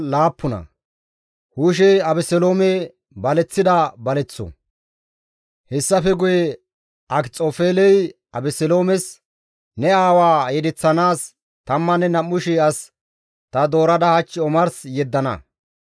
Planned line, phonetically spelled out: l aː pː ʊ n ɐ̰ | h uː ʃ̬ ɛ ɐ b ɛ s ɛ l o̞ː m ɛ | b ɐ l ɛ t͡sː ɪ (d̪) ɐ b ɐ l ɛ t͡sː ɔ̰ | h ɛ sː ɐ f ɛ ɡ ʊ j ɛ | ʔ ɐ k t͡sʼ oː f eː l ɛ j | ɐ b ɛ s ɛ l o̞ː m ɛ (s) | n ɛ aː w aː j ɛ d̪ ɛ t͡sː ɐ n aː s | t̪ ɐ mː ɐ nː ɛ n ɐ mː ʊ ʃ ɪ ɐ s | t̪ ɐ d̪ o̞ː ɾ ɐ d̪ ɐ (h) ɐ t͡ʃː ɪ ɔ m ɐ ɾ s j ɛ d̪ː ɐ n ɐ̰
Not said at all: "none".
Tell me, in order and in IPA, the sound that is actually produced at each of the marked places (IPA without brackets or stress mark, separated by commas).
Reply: d̪, s, h